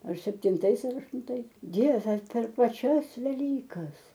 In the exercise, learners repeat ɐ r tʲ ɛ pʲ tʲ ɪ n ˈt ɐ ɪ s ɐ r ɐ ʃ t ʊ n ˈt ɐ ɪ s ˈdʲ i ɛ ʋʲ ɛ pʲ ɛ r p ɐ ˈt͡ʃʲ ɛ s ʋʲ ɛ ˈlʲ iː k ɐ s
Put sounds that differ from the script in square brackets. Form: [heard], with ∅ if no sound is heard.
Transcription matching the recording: ɐ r [sʲ] ɛ pʲ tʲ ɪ n ˈt ɐ ɪ s ɐ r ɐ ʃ t ʊ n ˈt ɐ ɪ s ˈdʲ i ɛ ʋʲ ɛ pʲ ɛ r p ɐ ˈt͡ʃʲ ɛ s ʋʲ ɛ ˈlʲ iː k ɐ s